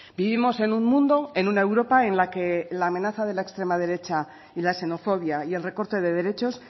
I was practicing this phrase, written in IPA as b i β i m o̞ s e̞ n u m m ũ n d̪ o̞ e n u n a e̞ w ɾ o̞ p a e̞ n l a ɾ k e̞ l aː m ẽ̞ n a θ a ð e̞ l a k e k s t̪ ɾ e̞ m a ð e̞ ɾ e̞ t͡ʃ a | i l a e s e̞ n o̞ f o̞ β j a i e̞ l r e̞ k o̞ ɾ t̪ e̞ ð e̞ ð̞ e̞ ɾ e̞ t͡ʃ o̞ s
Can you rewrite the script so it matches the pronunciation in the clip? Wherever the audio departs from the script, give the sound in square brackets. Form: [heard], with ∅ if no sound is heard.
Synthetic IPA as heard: b i β i m o̞ s e̞ n u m m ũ n d̪ o̞ e n u n a e̞ w ɾ o̞ p a e̞ n l a [∅] k e̞ l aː m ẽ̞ n a θ a ð e̞ l a [∅] e k s t̪ ɾ e̞ m a ð e̞ ɾ e̞ t͡ʃ a | i l a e s e̞ n o̞ f o̞ β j a i e̞ l r e̞ k o̞ ɾ t̪ e̞ ð e̞ ð̞ e̞ ɾ e̞ t͡ʃ o̞ s

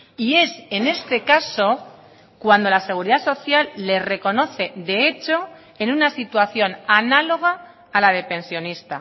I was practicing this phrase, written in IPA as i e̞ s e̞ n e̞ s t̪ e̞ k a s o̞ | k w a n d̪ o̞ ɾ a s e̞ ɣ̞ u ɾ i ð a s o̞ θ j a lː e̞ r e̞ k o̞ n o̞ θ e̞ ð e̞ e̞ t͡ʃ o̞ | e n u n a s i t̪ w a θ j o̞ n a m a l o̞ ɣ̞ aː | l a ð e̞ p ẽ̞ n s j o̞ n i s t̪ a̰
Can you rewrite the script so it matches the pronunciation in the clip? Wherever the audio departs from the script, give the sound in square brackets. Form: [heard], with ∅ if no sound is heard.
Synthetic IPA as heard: i e̞ s e̞ n e̞ s t̪ e̞ k a s o̞ | k w a n d̪ o̞ [l] a s e̞ ɣ̞ u ɾ i ð a s o̞ θ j a lː e̞ r e̞ k o̞ n o̞ θ e̞ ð e̞ e̞ t͡ʃ o̞ | e n u n a s i t̪ w a θ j o̞ n a [n] a l o̞ ɣ̞ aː | l a ð e̞ p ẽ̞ n s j o̞ n i s t̪ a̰

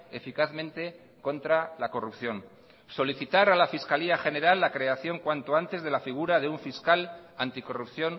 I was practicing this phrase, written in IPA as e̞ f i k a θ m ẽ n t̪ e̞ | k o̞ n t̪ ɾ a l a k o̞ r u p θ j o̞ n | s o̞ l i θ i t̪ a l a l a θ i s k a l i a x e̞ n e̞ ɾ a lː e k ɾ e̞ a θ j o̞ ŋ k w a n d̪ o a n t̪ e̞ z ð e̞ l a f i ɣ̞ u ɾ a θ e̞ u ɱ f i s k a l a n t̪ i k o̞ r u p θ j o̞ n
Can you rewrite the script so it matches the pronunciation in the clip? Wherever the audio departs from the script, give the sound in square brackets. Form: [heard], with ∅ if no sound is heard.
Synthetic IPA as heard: e̞ f i k a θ m ẽ n t̪ e̞ | k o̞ n t̪ ɾ a l a k o̞ r u p θ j o̞ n | s o̞ l i θ i t̪ a [ɾ] a l a [f] i s k a l i a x e̞ n e̞ ɾ a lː [a] k ɾ e̞ a θ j o̞ ŋ k w a n [t̪] o a n t̪ e̞ z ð e̞ l a f i ɣ̞ u ɾ a [ð] e̞ u ɱ f i s k a l a n t̪ i k o̞ r u p θ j o̞ n

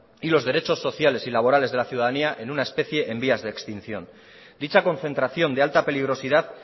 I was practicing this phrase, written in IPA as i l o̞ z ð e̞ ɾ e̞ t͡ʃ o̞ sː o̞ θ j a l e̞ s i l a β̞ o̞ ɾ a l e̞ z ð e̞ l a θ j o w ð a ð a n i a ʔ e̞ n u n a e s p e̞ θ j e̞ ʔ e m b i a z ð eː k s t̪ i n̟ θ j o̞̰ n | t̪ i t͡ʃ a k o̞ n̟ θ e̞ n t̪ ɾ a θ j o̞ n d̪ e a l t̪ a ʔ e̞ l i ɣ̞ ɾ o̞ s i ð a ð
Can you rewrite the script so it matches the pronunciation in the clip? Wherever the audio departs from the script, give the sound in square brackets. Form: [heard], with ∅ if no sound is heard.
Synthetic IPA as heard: i l o̞ z ð e̞ ɾ e̞ t͡ʃ o̞ sː o̞ θ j a l e̞ s i l a β̞ o̞ ɾ a l e̞ z ð e̞ l a θ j [u] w ð a ð a n i a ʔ e̞ n u n a e s p e̞ θ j e̞ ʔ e m b i a z ð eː k s t̪ i n̟ θ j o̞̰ n | [d̪] i t͡ʃ a k o̞ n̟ θ e̞ n t̪ ɾ a θ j o̞ n d̪ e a l t̪ a [p] e̞ l i ɣ̞ ɾ o̞ s i ð a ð

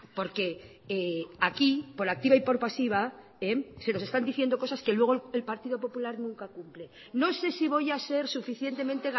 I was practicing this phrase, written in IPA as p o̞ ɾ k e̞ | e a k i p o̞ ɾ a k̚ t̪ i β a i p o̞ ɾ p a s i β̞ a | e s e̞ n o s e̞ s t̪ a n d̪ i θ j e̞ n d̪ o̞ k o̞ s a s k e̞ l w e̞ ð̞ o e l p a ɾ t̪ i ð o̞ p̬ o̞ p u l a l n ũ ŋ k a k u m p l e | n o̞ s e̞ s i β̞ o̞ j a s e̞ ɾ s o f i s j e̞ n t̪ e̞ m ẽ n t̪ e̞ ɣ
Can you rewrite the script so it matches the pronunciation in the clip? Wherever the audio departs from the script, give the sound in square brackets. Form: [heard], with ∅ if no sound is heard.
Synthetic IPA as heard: p o̞ ɾ k e̞ | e a k i p o̞ ɾ a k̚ t̪ i β a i p o̞ ɾ p a s i β̞ a | e s e̞ n o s e̞ s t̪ a n d̪ i θ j e̞ n d̪ o̞ k o̞ s a s k e̞ l w e̞ [ɣ̞] o e l p a ɾ t̪ i ð o̞ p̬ o̞ p u l a [ɾ] n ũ ŋ k a k u m p l e | n o̞ s e̞ s i β̞ o̞ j a s e̞ ɾ s [u] f i [θ] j e̞ n t̪ e̞ m ẽ n t̪ e̞ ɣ

